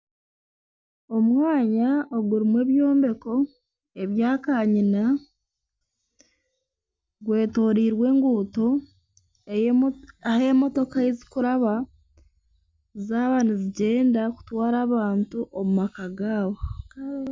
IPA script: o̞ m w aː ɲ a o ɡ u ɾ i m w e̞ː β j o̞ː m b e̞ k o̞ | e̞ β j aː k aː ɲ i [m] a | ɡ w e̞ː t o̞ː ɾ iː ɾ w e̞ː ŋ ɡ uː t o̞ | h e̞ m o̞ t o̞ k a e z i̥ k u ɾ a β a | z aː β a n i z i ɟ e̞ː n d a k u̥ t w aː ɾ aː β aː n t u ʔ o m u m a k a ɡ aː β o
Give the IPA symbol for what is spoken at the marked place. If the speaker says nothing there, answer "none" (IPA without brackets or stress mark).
n